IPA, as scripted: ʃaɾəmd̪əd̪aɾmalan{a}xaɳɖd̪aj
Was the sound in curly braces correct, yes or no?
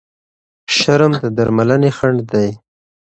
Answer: no